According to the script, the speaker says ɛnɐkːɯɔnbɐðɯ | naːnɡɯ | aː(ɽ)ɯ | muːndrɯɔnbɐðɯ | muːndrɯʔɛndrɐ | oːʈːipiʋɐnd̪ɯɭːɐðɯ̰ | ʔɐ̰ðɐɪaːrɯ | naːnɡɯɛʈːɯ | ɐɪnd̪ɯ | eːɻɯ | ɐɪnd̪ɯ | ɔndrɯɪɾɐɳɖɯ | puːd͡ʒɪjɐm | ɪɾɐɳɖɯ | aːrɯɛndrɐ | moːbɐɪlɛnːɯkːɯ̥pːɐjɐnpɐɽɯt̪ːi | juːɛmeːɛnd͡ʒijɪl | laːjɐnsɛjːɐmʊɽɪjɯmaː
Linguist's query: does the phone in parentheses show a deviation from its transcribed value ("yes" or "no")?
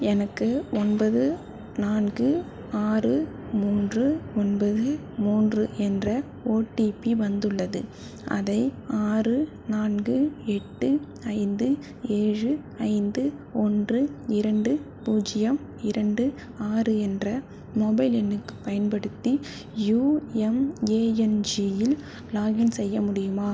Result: yes